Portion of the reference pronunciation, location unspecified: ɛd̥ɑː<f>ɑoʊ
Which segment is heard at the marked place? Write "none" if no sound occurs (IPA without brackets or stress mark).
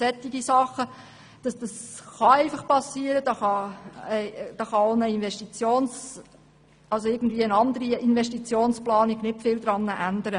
χ